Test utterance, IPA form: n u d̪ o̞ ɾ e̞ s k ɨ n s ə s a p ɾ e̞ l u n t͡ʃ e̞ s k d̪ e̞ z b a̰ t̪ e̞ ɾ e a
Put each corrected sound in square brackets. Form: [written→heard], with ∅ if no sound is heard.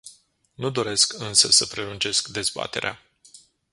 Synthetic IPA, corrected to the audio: n u d̪ o̞ ɾ e̞ s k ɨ n s ə s [a→ə] p ɾ e̞ l u n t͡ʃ e̞ s k d̪ e̞ z b a̰ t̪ e̞ ɾ e a